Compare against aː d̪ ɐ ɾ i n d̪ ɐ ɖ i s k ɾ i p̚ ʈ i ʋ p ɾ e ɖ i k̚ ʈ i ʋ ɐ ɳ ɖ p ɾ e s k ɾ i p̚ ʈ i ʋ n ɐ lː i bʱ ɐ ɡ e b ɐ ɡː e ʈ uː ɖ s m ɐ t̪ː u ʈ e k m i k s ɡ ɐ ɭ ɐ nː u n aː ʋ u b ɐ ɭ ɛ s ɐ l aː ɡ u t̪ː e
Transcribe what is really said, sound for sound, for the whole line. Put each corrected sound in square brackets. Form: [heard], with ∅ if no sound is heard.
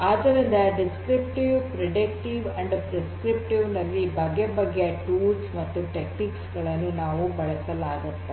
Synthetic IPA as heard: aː d̪ ɐ ɾ i n d̪ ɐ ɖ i s k ɾ i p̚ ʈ i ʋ p ɾ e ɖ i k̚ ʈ i ʋ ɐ ɳ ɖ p ɾ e s k ɾ i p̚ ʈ i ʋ n ɐ lː i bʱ ɐ ɡ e b ɐ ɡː e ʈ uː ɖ s m ɐ t̪ː u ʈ e k [n] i k s ɡ ɐ ɭ ɐ nː u n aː ʋ u b ɐ ɭ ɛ s ɐ l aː ɡ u t̪ː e